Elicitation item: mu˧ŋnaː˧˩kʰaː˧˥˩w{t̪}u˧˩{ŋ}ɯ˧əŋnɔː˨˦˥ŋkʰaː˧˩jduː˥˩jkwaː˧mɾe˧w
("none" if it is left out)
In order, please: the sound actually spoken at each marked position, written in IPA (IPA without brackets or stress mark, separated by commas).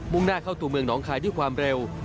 t̪, m